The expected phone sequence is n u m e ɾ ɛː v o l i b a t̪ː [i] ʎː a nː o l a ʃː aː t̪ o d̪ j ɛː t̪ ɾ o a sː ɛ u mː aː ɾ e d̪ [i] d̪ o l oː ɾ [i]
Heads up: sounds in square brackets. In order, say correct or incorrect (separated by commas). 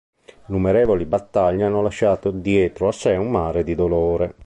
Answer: incorrect, correct, incorrect